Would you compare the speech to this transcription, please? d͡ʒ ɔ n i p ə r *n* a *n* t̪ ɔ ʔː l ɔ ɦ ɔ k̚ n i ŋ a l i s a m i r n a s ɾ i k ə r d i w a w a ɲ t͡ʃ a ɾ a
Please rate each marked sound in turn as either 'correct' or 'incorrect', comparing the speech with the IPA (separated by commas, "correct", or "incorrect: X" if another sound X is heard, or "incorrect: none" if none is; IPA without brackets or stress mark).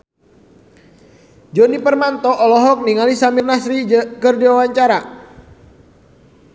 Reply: incorrect: m, correct